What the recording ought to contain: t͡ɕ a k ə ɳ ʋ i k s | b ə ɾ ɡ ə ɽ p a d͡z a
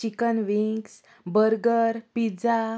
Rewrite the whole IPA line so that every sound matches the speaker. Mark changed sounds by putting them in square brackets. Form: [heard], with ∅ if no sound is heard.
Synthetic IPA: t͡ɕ [i] k ə [n] ʋ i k s | b ə ɾ ɡ ə [ɾ] p [i] d͡z a